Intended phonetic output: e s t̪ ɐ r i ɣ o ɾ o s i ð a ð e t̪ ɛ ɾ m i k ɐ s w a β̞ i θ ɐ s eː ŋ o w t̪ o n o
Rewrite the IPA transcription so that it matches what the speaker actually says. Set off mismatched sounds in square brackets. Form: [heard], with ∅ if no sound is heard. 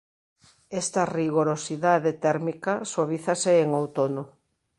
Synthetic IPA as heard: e s t̪ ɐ r i ɣ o ɾ o s i ð a ð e t̪ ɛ ɾ m i k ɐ s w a β̞ i θ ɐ s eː ŋ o w t̪ o n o